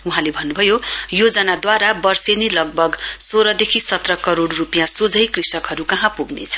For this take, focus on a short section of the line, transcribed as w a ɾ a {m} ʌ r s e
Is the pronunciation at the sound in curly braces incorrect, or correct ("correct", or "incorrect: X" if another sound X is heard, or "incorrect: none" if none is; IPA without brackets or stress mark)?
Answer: incorrect: b